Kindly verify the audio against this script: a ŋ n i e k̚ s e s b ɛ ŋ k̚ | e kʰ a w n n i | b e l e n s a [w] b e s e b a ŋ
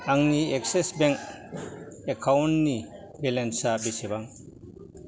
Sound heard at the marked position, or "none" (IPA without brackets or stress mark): none